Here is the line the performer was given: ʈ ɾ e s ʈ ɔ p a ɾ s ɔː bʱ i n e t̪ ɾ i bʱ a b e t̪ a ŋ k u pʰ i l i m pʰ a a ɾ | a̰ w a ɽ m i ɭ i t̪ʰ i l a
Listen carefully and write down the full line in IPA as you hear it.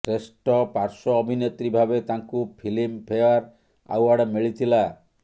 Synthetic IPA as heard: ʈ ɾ e s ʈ ɔ p a ɾ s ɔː bʱ i n e t̪ ɾ i bʱ a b e t̪ a ŋ k u pʰ i l i m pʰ e a ɾ | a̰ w a ɽ m i ɭ i t̪ʰ i l a